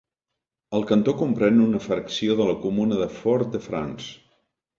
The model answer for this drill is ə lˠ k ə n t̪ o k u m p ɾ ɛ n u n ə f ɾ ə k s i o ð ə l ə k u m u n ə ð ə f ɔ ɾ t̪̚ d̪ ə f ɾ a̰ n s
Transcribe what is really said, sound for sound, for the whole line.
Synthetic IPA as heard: ə lˠ k ə n t̪ o k u m p ɾ ɛ n u n ə f ɾ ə k s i o ð ə l ə k u m u n ə ð ə f ɔ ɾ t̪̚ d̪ ə f ɾ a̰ n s